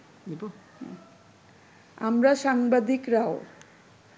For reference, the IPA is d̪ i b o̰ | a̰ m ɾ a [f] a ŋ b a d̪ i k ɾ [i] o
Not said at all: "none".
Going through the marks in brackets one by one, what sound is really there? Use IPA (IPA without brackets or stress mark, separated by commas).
ʃ, a